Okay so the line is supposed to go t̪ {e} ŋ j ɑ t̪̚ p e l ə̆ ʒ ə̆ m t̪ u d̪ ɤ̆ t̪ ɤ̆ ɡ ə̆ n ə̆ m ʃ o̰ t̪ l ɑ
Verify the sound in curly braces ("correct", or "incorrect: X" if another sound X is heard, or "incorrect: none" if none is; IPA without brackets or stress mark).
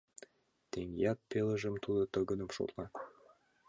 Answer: correct